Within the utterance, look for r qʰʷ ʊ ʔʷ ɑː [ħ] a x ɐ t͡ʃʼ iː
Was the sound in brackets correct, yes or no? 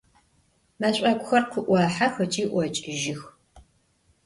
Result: yes